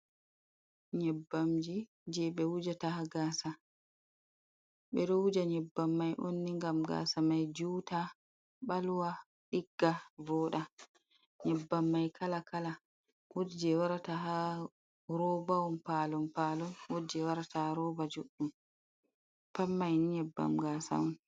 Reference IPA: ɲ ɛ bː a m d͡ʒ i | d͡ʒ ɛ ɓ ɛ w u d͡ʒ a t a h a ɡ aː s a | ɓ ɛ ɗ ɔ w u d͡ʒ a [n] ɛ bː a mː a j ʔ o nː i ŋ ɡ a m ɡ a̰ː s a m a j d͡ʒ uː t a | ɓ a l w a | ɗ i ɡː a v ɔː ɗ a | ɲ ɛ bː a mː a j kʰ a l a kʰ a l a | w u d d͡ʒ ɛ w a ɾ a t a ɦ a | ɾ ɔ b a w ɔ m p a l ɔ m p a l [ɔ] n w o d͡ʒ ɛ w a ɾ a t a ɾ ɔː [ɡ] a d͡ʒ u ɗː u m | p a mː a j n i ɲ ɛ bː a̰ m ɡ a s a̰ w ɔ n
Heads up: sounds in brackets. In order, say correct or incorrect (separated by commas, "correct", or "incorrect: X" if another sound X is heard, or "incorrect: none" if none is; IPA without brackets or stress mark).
incorrect: ɲ, correct, incorrect: b